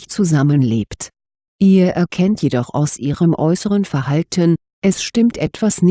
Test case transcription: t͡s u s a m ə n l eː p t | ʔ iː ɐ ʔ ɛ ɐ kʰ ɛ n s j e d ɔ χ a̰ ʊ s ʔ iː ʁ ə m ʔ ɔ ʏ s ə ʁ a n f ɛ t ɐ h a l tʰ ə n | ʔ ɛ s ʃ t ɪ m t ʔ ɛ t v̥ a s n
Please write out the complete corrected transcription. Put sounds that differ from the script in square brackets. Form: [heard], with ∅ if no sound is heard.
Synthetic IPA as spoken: t͡s u [z] a m ə n l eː p t | ʔ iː ɐ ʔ ɛ ɐ kʰ ɛ n [t] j e d ɔ χ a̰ ʊ s ʔ iː ʁ ə m ʔ ɔ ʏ s ə ʁ [ə] n f ɛ [∅] ɐ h a l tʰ ə n | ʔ ɛ s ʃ t ɪ m t ʔ ɛ t v̥ a s n